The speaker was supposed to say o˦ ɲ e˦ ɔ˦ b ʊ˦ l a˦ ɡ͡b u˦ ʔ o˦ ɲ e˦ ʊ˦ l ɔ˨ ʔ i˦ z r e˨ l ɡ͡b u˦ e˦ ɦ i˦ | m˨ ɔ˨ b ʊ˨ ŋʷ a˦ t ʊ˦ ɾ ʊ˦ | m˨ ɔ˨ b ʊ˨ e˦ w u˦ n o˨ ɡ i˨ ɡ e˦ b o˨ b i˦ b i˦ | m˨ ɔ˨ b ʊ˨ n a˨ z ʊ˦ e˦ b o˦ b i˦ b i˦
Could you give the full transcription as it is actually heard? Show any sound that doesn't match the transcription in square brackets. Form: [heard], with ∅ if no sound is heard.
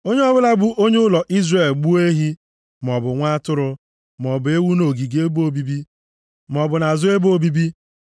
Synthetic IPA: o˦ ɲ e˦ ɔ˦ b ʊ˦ l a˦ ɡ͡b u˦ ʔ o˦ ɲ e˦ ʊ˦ l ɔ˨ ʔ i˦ z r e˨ l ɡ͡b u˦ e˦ ɦ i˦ | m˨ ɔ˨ b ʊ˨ ŋʷ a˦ t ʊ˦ ɾ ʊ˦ | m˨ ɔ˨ b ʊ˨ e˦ w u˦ n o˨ ɡ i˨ ɡ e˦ b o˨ b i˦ b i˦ | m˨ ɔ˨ b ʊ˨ n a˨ z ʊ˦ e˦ b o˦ b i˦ b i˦